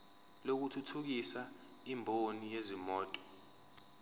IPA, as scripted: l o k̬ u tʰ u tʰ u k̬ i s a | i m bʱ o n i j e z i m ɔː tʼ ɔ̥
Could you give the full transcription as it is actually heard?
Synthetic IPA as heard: l o k̬ u tʰ u tʰ u k̬ i s a | i m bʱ o n i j e z i m ɔː tʼ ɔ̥